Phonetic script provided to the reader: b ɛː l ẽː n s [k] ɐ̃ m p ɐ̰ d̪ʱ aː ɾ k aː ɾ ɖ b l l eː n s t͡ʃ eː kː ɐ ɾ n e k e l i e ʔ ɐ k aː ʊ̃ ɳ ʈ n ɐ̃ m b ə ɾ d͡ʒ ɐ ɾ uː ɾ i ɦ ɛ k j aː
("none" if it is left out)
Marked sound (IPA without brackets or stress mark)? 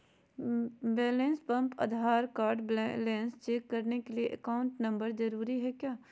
p